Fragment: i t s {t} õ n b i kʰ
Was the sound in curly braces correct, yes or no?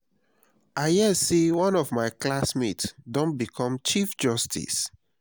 no